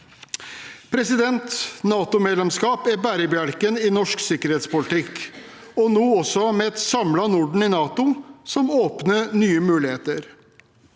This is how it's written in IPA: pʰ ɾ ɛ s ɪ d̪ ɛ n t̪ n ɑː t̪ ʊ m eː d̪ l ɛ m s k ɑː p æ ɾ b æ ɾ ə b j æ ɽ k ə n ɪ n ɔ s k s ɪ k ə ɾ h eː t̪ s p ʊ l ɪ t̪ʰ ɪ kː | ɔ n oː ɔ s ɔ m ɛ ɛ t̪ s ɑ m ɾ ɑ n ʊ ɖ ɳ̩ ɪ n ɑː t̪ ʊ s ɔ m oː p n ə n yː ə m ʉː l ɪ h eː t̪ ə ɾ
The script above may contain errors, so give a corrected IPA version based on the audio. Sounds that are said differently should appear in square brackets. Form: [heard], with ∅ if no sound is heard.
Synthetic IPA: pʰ ɾ ɛ s ɪ d̪ ɛ n t̪ n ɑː t̪ ʊ m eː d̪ l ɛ m s k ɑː p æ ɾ b æ ɾ ə b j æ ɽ k ə n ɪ n ɔ [ʂ] k s ɪ k ə ɾ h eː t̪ s p ʊ l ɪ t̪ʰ ɪ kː | ɔ n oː ɔ s ɔ m ɛ ɛ t̪ s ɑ m [l] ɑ n ʊ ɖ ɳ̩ ɪ n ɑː t̪ ʊ s ɔ m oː p n ə n yː ə m ʉː l ɪ h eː t̪ ə ɾ